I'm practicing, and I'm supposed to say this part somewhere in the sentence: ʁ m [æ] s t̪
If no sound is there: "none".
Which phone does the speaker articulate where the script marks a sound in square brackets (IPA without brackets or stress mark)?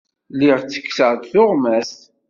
æ